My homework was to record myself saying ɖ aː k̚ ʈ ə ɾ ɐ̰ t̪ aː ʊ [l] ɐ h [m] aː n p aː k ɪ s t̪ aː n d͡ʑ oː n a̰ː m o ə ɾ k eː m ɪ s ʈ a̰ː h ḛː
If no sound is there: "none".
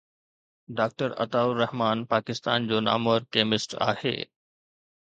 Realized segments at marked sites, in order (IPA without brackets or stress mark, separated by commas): ɾ, m